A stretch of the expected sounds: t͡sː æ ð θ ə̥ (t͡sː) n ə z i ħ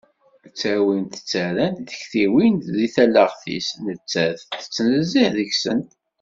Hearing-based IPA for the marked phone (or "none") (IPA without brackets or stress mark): t͡sː